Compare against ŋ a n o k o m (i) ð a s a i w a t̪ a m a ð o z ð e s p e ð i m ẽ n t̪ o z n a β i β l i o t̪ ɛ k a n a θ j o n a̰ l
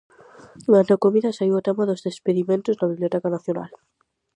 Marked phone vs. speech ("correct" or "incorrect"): correct